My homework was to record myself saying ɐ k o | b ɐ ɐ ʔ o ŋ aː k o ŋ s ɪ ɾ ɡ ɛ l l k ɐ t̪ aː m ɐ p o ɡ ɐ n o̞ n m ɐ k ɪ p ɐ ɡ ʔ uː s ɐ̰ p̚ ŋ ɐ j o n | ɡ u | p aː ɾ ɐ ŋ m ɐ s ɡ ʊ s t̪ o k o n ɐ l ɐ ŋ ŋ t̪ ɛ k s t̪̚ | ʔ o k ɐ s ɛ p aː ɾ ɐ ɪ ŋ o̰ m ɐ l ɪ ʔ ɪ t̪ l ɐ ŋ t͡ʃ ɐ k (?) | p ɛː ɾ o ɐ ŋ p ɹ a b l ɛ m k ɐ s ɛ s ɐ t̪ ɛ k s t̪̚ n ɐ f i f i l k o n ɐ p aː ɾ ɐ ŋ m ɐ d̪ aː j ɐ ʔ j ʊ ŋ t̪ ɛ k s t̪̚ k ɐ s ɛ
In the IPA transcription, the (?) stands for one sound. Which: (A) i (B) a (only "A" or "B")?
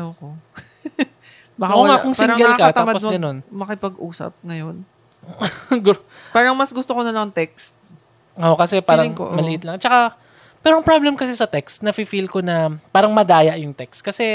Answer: B